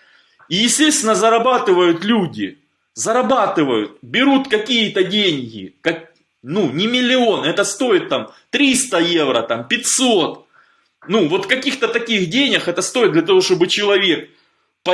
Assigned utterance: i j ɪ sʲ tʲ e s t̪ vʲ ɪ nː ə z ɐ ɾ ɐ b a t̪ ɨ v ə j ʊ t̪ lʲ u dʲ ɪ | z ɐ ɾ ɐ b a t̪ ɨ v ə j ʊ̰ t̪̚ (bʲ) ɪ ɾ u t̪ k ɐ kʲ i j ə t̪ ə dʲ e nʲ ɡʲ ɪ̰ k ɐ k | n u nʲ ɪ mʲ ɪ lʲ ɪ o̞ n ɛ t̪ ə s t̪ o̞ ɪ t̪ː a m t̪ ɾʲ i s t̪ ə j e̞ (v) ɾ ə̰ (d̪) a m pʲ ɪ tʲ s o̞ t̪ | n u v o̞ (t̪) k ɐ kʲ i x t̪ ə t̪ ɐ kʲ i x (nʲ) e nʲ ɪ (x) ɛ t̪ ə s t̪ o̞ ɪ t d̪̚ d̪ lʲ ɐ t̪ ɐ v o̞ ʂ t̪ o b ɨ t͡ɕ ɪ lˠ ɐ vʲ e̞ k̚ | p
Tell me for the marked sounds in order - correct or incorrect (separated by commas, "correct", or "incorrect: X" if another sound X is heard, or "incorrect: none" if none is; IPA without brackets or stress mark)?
correct, correct, incorrect: t̪, correct, incorrect: dʲ, correct